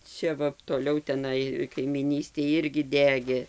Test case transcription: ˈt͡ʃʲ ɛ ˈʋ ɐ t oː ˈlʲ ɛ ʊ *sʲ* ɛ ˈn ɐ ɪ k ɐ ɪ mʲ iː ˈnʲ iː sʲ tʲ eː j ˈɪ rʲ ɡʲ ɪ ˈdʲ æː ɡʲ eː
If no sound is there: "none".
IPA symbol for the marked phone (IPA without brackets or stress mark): tʲ